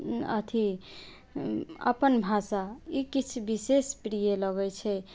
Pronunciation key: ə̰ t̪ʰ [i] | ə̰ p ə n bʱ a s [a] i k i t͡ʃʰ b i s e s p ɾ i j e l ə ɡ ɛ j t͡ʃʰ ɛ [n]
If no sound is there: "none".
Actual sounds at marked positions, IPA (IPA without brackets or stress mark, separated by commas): i, a, none